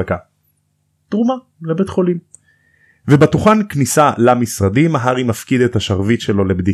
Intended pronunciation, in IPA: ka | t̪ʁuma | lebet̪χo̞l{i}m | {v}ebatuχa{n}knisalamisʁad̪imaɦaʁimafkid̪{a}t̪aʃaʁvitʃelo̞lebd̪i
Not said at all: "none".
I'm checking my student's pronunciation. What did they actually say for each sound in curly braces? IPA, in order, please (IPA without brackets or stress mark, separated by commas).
i, v, n, e